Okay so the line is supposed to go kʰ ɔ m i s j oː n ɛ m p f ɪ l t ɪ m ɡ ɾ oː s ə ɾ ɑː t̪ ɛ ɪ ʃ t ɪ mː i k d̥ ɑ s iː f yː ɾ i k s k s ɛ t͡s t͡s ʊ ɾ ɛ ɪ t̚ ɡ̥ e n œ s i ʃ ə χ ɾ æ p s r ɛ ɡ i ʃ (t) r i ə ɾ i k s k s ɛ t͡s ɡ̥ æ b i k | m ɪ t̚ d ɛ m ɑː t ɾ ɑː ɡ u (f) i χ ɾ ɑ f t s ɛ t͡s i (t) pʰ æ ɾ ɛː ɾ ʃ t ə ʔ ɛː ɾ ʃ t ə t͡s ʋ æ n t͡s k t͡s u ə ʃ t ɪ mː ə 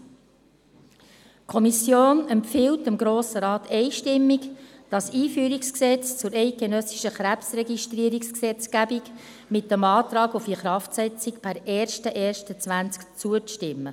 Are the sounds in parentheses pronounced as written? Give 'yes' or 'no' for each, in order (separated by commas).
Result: yes, yes, no